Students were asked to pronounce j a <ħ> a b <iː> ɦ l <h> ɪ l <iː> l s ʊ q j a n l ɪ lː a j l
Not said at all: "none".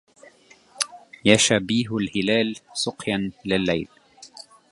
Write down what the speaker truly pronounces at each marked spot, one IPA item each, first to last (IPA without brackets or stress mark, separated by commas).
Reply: ʃ, iː, h, aː